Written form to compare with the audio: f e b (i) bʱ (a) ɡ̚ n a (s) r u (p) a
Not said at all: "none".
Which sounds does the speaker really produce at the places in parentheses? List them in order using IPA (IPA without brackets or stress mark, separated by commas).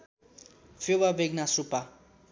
a, e, s, p